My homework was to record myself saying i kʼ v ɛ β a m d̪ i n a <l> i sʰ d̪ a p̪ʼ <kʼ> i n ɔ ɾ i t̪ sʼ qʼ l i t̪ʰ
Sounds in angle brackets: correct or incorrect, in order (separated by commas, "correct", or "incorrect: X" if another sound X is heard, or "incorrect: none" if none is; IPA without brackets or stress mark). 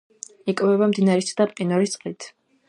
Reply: incorrect: ɾ, incorrect: qʼ